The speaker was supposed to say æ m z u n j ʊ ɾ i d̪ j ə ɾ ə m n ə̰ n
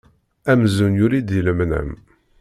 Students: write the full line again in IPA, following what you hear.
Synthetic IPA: æ m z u n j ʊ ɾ i d̪ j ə l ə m n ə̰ m

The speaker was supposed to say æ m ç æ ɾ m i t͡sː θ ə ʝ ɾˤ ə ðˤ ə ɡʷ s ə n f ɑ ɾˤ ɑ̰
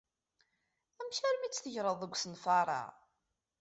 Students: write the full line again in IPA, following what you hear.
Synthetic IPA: æ m ç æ ɾ m i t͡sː θ ə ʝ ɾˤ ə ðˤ ə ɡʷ s ə n f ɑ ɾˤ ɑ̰

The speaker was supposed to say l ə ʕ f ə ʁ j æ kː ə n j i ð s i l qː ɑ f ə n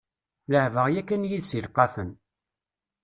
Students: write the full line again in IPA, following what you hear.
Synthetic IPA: l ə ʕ v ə ʁ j æ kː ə n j i ð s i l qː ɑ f ə n

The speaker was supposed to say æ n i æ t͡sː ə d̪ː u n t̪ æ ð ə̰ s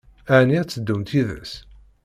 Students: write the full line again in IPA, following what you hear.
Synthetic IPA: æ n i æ t͡sː ə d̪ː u m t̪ i ð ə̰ s

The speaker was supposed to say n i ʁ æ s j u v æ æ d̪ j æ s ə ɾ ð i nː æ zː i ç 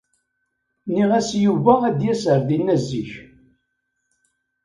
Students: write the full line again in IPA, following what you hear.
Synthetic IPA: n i ʁ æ s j u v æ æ d̪ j æ s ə ɾ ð i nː æ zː i ç

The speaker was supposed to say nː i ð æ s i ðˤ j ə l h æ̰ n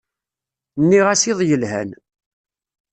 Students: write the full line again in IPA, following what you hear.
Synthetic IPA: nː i ʁ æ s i ðˤ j ə l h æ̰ n

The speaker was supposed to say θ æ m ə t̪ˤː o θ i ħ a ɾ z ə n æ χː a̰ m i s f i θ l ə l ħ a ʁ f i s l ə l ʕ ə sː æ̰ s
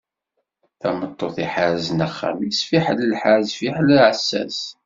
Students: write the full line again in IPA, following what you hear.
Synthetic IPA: θ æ m ə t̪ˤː o θ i ħ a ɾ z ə n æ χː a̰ m i s f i ħ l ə l ħ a z f i ħ l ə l ʕ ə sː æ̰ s

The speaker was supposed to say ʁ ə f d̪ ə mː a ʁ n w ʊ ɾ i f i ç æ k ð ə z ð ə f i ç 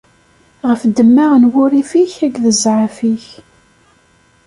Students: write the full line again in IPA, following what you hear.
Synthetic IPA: ʁ ə f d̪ ə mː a ʁ n w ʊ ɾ i f i ç æ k ð ə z ʕ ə f i ç

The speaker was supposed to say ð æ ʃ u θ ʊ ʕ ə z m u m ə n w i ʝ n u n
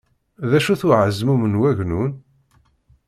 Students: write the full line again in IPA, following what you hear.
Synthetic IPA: ð æ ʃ u θ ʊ ʕ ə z m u m ə n w æ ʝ n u n

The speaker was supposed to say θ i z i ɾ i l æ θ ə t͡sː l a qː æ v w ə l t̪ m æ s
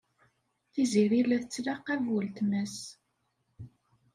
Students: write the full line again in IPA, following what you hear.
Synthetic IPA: θ i z i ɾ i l æ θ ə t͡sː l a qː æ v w ə l t̪ m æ s

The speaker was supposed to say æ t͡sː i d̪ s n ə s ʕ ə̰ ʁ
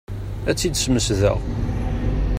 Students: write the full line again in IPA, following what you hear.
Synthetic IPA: æ t͡sː i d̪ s m ə s ð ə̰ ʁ

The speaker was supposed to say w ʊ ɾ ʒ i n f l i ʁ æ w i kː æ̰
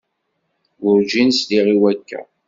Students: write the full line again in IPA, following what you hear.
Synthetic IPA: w ʊ ɾ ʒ i n s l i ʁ i w æ kː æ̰

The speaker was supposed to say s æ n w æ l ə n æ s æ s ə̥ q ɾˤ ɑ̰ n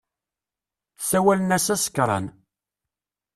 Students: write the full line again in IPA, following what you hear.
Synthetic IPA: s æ w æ l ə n æ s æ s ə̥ k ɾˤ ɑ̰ n

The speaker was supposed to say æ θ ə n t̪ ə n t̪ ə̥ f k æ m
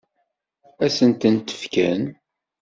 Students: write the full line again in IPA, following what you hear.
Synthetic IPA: æ s ə n t̪ ə n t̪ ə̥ f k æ n

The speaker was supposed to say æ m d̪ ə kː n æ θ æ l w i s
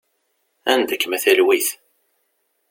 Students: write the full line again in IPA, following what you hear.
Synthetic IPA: æ n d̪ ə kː m æ θ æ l w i θ

